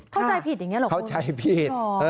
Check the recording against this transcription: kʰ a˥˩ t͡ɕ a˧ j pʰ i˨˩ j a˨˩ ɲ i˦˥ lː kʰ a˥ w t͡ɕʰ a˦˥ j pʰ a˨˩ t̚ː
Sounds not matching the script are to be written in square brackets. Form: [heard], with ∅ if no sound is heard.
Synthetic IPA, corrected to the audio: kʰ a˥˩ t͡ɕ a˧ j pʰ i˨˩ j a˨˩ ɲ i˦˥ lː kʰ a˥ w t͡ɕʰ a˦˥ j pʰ [i˨˩] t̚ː